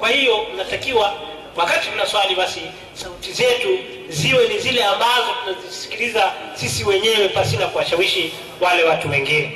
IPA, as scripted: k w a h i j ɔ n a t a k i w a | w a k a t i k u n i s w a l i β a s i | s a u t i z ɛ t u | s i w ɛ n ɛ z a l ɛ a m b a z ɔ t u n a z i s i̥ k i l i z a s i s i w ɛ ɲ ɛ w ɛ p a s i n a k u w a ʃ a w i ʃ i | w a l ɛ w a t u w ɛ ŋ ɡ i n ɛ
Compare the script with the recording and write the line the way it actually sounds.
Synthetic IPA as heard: k w a h i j ɔ n a t a k i w a | w a k a t i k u n a s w a l i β a s i | s a u t i z ɛ t u | z i w ɛ n i z i l ɛ a m b a z ɔ t u n a z i s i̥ k i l i z a s i s i w ɛ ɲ ɛ w ɛ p a s i n a k u w a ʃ a w i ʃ i | w a l ɛ w a t u w ɛ ŋ ɡ i n ɛ